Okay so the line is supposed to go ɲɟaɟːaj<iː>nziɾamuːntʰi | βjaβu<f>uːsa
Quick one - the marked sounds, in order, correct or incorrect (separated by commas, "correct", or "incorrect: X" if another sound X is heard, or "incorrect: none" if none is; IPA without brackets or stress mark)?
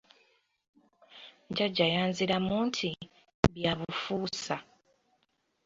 incorrect: aː, correct